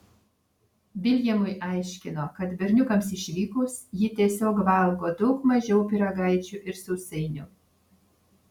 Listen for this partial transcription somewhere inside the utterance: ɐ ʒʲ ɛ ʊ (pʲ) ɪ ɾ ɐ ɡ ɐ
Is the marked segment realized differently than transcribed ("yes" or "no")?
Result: no